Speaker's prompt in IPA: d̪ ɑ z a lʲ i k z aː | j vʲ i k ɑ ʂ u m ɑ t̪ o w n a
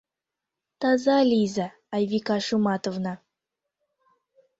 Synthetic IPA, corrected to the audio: t̪ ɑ z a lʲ i z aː | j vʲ i k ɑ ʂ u m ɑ t̪ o v n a